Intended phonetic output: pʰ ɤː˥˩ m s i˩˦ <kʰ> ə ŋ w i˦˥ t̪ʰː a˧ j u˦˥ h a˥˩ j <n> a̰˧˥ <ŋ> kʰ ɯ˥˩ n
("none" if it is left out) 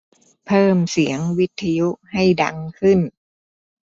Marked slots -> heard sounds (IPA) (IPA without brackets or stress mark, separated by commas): none, d, ŋ